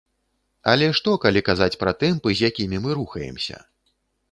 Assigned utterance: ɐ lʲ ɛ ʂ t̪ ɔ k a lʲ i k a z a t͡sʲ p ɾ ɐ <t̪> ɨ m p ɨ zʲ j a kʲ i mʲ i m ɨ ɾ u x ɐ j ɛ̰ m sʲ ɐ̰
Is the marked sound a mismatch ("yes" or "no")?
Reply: no